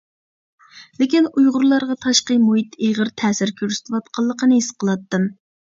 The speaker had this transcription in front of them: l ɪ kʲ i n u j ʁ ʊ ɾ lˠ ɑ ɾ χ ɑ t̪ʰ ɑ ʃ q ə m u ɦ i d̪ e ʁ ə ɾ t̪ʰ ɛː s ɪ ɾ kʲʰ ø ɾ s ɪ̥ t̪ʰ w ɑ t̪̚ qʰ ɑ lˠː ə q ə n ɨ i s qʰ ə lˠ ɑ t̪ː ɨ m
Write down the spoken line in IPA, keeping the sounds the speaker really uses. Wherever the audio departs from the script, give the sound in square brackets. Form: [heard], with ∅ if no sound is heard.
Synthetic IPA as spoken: l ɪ kʲ i n u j ʁ ʊ ɾ lˠ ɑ ɾ [ʁ] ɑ t̪ʰ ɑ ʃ q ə m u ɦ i [t̪] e ʁ ə ɾ t̪ʰ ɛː s ɪ ɾ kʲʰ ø ɾ s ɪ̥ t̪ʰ w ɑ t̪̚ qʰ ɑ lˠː ə q ə n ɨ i s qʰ ə lˠ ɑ t̪ː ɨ m